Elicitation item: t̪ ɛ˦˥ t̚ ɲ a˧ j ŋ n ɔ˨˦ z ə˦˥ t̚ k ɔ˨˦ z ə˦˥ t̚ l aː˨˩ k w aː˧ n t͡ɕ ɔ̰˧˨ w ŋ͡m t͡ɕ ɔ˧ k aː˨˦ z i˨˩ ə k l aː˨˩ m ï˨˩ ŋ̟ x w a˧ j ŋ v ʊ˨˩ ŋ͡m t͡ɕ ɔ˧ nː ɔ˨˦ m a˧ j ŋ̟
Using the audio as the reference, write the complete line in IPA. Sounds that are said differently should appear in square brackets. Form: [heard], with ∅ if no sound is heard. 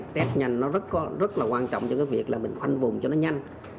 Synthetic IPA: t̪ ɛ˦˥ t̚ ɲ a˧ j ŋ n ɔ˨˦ z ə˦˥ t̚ k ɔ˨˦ z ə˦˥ t̚ l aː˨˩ k w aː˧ n t͡ɕ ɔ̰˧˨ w ŋ͡m t͡ɕ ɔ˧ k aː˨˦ [v] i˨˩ ə k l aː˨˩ m ï˨˩ ŋ̟ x w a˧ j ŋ v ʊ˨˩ ŋ͡m t͡ɕ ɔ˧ [n] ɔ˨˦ [ɲ] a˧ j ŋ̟